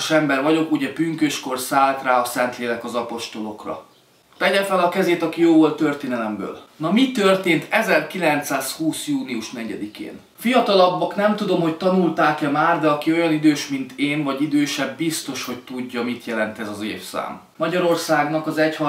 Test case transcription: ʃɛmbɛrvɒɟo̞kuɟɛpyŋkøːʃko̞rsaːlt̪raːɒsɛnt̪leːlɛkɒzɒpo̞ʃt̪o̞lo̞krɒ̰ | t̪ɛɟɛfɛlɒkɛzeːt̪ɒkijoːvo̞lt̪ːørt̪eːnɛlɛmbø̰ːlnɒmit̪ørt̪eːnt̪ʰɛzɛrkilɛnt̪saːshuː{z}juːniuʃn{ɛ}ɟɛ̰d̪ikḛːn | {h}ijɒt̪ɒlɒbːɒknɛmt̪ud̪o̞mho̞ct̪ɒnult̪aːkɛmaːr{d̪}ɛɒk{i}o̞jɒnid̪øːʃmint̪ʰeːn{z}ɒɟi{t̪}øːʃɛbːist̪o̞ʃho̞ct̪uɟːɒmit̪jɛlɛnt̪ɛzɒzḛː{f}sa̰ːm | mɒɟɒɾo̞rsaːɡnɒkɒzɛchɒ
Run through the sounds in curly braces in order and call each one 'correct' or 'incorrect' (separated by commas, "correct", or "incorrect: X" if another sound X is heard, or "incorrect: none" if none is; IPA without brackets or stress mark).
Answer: incorrect: s, correct, incorrect: f, correct, correct, incorrect: v, incorrect: d̪, correct